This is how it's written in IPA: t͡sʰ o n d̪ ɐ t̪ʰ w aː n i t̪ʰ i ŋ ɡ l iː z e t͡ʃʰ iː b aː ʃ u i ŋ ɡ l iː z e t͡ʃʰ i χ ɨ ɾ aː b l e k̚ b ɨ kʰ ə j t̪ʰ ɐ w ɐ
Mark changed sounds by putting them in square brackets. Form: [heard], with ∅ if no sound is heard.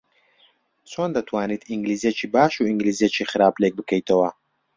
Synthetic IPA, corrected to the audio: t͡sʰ o n d̪ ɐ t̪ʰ w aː n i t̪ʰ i ŋ ɡ l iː z e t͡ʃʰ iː b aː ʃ u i ŋ ɡ l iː z e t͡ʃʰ i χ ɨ ɾ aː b l e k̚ b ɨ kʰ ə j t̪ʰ ɐ w ɐ